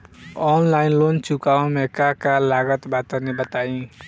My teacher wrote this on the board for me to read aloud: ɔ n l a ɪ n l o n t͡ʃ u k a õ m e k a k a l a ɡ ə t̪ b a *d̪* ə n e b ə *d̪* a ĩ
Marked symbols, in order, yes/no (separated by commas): no, no